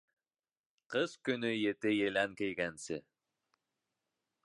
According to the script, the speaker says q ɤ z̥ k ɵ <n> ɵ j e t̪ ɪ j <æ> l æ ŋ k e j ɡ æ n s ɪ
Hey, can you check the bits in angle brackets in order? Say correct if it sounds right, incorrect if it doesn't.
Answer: correct, incorrect: e

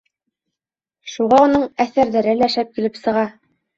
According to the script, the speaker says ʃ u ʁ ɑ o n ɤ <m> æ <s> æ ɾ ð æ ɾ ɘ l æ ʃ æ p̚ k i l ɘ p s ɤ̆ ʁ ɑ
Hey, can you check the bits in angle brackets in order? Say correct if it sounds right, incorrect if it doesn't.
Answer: incorrect: ɴ, incorrect: θ

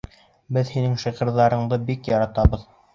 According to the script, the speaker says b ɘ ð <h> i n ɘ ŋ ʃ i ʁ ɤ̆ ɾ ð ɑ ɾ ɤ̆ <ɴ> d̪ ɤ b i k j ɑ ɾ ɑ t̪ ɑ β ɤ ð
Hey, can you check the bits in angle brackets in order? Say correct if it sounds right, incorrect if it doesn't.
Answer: correct, correct

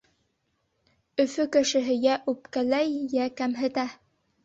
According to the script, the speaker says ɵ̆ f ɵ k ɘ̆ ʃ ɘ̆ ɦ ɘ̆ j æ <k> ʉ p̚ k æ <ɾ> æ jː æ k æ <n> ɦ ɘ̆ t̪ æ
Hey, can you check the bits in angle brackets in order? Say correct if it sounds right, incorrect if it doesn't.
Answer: incorrect: ʔ, incorrect: l, incorrect: m

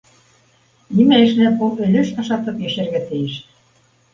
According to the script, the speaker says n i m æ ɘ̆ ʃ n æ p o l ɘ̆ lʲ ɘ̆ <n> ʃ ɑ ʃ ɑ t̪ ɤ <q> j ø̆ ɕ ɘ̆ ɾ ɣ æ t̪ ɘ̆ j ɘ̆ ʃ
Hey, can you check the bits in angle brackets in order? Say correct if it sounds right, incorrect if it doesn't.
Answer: incorrect: none, incorrect: p

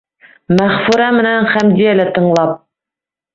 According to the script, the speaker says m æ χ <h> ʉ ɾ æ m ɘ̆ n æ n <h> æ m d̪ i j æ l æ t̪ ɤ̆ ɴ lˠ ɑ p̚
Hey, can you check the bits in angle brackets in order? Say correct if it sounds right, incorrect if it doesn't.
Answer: incorrect: f, incorrect: χ

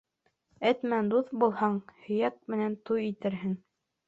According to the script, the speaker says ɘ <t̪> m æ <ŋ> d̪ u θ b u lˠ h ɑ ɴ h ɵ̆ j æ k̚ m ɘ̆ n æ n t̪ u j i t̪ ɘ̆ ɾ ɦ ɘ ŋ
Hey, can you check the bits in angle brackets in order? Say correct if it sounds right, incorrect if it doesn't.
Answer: correct, incorrect: n

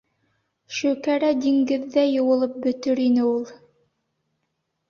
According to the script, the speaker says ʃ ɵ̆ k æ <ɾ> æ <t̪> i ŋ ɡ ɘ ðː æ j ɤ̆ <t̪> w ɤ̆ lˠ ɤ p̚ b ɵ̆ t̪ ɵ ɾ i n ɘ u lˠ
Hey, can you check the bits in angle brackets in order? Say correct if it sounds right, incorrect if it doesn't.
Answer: correct, incorrect: d̪, incorrect: none

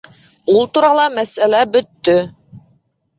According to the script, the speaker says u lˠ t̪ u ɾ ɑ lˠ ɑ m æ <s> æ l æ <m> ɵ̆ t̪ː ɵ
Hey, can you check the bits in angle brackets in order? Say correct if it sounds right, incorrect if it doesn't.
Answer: correct, incorrect: b

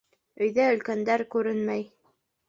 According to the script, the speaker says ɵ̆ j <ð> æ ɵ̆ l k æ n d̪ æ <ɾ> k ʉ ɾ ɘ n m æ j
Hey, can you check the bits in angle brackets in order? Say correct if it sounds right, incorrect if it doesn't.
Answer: correct, correct

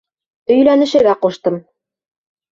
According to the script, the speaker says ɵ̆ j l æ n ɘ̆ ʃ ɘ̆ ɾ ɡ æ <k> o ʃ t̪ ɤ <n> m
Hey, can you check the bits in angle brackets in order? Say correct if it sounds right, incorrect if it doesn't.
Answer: incorrect: q, incorrect: none

